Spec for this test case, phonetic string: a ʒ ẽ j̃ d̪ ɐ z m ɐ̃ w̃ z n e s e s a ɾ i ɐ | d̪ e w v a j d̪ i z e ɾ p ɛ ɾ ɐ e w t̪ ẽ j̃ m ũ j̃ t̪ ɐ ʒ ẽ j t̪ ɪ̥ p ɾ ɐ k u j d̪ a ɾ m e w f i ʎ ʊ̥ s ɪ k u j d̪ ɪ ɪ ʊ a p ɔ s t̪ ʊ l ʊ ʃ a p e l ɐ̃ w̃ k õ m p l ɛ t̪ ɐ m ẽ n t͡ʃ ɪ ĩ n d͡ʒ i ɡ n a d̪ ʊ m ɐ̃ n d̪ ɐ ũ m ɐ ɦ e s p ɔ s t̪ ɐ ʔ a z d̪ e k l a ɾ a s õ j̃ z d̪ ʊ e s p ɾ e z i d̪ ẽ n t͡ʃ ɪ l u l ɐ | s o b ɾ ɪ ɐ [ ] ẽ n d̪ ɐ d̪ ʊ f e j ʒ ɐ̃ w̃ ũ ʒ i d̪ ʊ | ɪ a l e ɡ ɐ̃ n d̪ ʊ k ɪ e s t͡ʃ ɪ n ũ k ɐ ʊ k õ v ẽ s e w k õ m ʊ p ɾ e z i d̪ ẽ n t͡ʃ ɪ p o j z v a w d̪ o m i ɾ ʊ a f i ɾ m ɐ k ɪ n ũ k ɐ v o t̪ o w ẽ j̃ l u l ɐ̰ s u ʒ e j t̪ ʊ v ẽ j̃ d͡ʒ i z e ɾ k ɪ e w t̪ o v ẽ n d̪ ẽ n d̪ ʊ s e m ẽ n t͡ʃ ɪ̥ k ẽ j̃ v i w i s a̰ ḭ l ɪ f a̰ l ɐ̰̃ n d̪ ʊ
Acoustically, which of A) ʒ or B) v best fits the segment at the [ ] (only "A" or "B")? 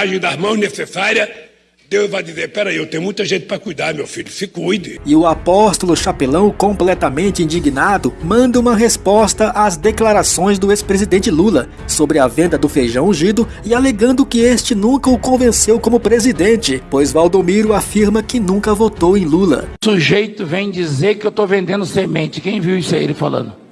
B